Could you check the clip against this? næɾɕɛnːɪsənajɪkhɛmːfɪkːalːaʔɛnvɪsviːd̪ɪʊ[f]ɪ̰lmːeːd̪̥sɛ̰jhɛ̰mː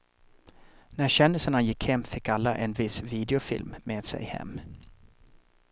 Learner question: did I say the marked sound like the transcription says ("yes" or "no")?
yes